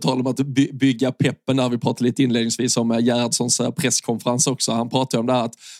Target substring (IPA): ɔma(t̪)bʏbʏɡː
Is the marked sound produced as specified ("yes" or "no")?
yes